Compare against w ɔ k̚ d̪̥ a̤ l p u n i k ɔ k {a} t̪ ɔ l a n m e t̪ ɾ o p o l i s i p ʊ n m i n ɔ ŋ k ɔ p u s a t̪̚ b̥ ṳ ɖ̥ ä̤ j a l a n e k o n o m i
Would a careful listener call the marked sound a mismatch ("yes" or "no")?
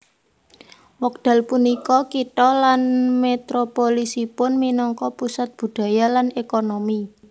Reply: yes